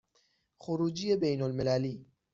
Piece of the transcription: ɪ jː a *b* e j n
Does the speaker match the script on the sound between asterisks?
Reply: yes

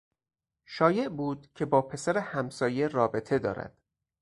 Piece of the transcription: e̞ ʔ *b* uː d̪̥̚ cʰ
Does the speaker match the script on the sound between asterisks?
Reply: yes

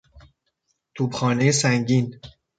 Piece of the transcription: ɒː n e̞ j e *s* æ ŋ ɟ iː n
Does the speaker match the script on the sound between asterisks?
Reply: yes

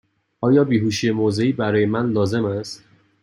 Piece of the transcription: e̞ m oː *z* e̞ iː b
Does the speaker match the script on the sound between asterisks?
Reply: yes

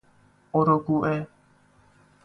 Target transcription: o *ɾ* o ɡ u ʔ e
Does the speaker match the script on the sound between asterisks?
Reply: yes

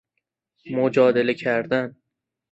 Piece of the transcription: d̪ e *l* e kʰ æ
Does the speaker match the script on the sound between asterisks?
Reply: yes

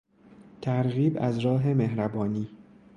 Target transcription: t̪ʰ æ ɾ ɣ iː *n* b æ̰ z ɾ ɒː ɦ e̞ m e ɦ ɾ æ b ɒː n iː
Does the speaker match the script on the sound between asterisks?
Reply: no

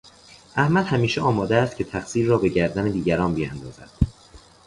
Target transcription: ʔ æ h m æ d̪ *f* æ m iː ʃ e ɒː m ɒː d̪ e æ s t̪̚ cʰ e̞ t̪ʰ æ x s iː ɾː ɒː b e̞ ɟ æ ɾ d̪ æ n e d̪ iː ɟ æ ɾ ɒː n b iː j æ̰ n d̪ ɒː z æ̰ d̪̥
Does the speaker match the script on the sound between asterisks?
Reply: no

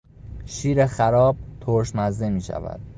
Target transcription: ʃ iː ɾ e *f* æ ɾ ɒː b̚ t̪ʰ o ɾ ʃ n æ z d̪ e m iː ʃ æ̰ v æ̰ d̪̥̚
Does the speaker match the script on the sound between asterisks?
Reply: no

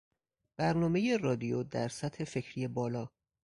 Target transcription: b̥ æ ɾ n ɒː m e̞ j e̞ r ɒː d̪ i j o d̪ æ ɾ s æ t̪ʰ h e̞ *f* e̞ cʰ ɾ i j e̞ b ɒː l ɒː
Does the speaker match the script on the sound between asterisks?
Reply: yes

